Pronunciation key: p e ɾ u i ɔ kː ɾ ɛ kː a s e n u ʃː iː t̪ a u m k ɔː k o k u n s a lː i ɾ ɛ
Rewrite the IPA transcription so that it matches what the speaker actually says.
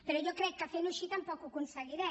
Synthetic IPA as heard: p e ɾ ɔ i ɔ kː ɾ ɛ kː a f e n u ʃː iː t̪ a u m p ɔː k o k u n s a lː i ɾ ɛ